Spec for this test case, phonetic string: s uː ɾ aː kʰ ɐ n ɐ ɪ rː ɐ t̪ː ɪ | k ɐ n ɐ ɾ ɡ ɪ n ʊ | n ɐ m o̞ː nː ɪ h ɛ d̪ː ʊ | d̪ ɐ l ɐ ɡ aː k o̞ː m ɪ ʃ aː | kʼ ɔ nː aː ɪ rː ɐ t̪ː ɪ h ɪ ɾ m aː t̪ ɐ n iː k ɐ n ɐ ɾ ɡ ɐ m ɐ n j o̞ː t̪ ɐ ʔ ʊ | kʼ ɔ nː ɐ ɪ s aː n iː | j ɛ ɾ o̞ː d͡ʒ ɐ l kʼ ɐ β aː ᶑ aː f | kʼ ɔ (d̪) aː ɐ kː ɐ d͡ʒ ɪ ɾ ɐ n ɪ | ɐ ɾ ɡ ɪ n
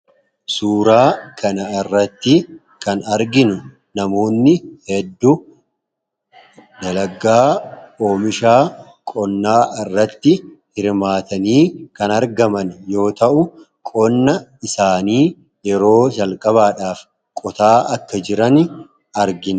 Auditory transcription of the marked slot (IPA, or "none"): t̪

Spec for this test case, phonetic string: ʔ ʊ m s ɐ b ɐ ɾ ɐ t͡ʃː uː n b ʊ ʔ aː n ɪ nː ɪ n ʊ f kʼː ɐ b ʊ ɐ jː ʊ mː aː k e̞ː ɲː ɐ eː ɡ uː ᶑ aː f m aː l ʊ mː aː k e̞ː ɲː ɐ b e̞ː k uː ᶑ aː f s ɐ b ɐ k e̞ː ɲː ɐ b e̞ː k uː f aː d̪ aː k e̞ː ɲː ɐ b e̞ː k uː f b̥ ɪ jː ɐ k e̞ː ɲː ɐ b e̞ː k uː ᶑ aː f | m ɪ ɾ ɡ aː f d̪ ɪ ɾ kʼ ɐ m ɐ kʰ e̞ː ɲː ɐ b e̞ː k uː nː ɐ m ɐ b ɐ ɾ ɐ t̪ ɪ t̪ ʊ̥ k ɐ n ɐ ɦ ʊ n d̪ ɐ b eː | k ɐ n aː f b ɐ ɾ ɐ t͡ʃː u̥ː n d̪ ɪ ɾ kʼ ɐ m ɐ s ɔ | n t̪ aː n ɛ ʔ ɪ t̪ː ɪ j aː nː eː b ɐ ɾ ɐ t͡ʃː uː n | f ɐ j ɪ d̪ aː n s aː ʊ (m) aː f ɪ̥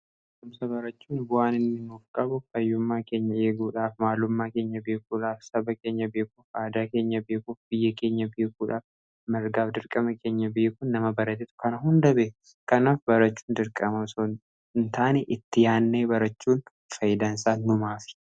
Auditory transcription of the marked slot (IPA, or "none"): m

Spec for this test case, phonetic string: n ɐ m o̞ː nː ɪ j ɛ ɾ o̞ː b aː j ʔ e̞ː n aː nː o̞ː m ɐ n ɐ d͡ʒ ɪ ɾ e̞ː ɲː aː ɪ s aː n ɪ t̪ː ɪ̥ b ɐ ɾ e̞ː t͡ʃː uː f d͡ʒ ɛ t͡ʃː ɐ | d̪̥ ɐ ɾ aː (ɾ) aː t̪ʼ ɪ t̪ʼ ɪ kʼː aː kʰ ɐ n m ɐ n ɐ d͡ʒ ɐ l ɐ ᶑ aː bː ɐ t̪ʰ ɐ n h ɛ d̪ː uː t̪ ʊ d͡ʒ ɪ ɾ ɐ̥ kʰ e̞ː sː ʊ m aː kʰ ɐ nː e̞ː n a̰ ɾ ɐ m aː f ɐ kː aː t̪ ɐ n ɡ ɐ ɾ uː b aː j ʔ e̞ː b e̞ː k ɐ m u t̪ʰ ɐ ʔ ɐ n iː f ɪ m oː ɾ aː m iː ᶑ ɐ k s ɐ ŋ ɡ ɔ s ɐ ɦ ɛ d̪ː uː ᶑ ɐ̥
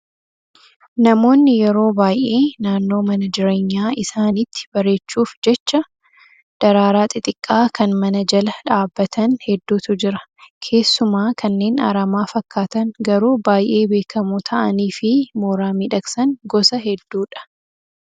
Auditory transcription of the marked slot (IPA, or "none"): ɾ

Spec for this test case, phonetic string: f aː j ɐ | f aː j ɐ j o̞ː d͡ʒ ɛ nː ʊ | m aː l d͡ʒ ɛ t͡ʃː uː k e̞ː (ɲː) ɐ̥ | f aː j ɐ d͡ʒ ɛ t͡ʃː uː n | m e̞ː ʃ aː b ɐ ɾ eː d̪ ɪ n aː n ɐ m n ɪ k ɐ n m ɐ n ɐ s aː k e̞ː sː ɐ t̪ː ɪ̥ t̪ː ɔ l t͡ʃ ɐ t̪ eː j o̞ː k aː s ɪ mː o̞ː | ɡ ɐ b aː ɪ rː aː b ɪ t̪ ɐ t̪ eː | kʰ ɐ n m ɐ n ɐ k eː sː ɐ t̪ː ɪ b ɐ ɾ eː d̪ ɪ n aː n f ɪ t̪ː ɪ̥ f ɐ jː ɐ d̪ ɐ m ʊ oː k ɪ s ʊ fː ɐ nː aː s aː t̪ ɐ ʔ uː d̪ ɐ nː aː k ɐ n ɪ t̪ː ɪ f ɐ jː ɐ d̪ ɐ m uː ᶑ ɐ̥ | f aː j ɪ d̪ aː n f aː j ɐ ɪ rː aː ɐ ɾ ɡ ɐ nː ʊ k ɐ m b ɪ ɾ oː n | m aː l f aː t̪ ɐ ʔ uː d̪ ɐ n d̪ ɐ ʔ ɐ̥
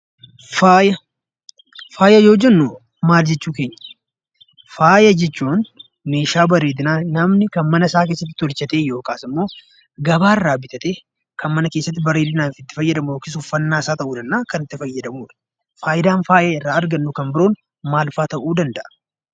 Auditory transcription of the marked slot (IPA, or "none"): ɲː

